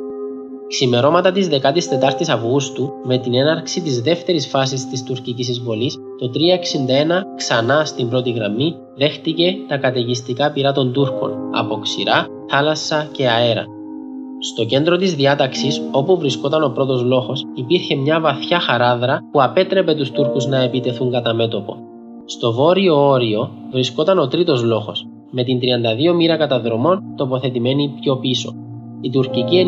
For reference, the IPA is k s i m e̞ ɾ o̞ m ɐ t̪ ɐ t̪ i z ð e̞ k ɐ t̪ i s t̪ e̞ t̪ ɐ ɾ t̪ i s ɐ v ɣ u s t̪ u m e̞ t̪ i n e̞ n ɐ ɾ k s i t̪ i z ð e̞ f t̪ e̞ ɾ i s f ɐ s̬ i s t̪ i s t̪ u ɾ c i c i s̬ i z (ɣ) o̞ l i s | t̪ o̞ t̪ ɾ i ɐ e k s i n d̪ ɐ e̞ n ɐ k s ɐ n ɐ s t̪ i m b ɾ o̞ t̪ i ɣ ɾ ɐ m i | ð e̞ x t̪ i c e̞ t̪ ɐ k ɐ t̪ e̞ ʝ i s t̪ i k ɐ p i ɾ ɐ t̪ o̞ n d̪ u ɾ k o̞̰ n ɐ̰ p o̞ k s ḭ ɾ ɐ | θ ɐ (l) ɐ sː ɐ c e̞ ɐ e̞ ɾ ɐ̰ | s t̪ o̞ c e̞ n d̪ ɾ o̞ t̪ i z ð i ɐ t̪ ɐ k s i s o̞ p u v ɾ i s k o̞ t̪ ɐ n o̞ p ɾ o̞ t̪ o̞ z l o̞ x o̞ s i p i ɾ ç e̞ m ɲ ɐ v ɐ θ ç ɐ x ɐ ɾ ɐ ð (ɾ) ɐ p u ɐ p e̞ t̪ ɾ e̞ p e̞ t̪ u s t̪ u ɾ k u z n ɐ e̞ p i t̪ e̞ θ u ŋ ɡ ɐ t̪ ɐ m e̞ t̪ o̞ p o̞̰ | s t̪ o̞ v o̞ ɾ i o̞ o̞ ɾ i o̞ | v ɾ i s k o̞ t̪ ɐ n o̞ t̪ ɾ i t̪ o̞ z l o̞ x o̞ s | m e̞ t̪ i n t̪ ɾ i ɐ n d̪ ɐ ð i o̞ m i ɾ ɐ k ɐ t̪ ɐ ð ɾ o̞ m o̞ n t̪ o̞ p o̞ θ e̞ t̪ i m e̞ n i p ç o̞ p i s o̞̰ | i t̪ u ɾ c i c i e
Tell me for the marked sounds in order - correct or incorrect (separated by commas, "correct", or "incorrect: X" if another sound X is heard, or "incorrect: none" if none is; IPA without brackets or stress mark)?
incorrect: v, correct, correct